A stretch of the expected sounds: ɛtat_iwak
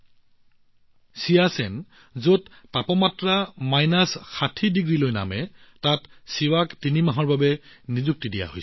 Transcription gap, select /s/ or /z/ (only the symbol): s